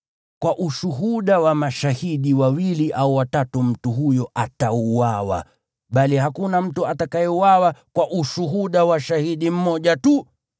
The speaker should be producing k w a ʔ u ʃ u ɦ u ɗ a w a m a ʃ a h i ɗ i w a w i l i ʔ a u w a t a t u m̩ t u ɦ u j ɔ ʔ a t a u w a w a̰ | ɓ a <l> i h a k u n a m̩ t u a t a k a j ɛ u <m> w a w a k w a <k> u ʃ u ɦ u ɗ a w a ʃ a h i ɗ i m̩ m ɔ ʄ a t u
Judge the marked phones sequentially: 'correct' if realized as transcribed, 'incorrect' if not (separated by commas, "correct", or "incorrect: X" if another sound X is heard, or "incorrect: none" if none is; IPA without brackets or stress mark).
correct, incorrect: none, incorrect: ʔ